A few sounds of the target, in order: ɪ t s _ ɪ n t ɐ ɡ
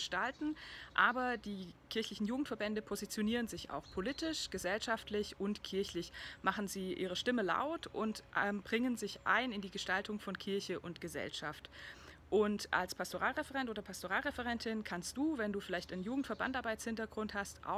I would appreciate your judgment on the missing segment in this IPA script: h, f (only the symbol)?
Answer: h